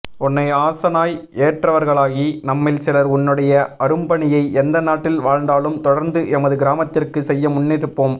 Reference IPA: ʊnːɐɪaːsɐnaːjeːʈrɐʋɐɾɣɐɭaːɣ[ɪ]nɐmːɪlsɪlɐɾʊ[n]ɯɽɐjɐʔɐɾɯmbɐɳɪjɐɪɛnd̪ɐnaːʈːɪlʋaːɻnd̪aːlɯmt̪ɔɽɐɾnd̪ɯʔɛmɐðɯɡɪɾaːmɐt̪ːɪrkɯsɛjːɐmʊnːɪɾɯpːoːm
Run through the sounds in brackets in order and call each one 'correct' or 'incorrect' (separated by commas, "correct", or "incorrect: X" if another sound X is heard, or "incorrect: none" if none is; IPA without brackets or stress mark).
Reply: incorrect: i, incorrect: nː